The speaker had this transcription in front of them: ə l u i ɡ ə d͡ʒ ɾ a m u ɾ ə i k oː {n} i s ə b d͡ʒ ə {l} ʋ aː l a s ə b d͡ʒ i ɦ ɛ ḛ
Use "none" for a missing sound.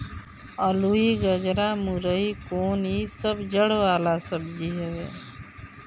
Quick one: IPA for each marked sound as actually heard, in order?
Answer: n, ɽ

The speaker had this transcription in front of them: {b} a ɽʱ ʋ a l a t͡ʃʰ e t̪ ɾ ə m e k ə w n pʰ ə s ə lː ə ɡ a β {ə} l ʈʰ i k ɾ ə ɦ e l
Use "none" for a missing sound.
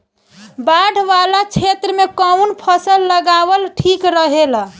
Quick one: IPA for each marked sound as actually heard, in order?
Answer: b, ə

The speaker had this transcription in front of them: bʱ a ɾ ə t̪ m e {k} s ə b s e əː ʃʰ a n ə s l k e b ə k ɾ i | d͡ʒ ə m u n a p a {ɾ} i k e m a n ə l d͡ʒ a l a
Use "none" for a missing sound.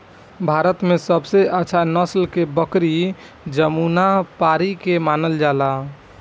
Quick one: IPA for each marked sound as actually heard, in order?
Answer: none, ɾ

